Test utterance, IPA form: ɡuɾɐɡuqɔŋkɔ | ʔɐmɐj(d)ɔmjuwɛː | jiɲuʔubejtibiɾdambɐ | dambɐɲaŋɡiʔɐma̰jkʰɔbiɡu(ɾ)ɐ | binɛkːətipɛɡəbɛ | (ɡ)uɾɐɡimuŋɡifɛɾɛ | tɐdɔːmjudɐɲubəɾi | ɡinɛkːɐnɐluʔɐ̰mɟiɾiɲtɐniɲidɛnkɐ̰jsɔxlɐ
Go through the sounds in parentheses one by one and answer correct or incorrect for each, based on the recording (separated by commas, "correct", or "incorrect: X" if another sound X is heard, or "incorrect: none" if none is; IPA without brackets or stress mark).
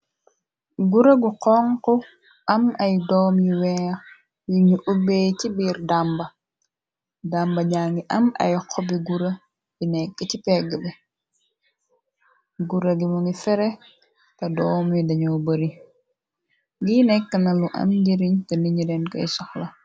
correct, correct, correct